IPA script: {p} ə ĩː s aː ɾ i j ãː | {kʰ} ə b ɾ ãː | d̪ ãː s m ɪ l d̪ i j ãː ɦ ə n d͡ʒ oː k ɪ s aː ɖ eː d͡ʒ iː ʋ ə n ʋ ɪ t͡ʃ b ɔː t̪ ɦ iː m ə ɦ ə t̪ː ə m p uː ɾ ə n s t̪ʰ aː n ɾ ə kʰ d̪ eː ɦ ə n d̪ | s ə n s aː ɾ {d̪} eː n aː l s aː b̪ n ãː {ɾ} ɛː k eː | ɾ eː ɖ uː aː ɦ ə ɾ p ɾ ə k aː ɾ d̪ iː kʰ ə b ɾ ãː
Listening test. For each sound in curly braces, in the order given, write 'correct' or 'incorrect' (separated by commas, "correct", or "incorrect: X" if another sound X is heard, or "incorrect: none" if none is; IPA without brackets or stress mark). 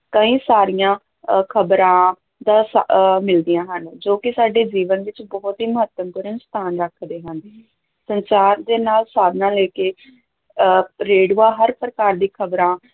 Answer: incorrect: k, correct, correct, incorrect: l